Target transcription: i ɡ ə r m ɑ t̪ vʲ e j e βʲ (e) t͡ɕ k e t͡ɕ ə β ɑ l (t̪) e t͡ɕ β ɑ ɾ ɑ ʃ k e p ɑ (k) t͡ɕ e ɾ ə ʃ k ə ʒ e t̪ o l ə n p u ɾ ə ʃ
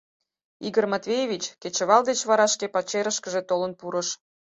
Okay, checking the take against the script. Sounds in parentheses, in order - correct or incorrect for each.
incorrect, incorrect, incorrect

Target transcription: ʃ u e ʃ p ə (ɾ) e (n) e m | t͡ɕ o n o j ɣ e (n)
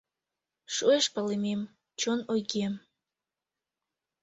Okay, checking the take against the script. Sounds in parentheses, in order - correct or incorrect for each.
incorrect, incorrect, incorrect

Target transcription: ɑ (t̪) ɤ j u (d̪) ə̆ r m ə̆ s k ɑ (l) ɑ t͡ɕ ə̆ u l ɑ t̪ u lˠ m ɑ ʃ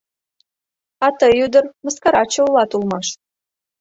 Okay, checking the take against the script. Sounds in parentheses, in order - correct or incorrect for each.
correct, correct, incorrect

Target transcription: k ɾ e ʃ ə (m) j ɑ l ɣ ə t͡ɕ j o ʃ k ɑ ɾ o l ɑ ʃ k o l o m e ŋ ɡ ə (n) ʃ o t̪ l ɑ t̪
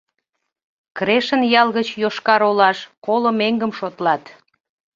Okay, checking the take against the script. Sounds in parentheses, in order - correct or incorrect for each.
incorrect, incorrect

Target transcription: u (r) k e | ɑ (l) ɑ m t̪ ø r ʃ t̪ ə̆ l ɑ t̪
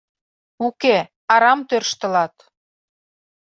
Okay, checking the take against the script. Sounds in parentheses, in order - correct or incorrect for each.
incorrect, incorrect

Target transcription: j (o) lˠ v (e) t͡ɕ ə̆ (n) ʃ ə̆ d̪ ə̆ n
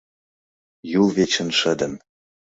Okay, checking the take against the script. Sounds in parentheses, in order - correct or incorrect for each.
incorrect, correct, correct

